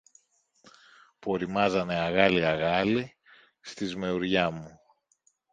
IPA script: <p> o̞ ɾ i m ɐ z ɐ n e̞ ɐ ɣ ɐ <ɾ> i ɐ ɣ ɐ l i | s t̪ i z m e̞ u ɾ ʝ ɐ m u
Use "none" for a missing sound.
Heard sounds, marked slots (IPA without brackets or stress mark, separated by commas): p, l